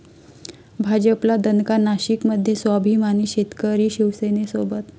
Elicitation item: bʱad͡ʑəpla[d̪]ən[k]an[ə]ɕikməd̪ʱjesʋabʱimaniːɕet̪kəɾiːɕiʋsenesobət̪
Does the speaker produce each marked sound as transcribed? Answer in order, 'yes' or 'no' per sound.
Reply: yes, yes, no

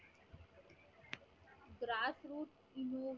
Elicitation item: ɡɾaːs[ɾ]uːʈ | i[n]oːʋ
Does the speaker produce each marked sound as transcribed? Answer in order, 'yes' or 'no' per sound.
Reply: yes, yes

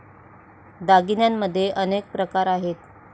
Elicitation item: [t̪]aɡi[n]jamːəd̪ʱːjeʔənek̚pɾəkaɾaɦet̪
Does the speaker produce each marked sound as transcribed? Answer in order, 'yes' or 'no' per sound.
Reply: no, yes

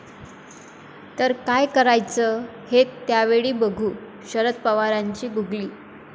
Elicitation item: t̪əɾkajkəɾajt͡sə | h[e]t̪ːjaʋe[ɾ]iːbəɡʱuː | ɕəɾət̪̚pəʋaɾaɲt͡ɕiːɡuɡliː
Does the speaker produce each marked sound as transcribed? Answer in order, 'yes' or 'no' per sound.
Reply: yes, no

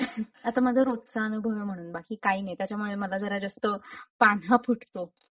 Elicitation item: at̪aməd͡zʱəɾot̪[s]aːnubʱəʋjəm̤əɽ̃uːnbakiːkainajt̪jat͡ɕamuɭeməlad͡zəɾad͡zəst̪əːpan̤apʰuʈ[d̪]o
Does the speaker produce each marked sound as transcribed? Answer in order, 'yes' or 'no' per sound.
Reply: yes, no

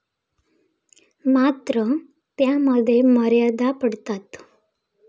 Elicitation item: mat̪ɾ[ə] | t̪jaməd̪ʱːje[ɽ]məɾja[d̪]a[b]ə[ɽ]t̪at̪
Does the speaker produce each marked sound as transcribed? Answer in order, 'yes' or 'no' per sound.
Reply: yes, no, yes, no, yes

